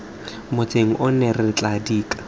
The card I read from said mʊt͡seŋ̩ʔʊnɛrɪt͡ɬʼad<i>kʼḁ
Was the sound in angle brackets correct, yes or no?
no